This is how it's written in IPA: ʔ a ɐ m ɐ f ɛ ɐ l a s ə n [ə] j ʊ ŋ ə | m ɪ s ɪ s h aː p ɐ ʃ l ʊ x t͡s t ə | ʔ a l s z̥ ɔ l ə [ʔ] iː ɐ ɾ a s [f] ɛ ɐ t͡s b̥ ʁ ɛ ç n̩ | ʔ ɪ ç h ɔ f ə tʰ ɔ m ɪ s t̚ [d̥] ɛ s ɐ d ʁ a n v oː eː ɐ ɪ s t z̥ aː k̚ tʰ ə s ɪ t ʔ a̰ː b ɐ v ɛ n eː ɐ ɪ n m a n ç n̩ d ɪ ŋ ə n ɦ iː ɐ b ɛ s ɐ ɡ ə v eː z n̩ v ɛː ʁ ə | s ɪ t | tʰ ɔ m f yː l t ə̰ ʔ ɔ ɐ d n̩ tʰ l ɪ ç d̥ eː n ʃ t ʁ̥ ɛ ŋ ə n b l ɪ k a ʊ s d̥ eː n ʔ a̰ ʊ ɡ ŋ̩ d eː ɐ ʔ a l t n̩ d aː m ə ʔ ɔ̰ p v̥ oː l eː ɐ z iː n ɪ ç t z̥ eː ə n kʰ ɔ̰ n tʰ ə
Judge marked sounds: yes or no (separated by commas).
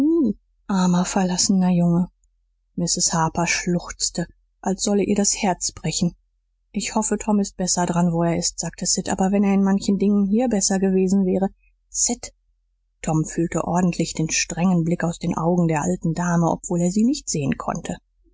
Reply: no, yes, no, no